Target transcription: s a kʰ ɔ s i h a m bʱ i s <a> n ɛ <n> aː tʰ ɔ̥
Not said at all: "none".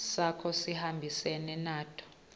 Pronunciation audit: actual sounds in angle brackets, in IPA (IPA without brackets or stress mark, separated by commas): ɛ, n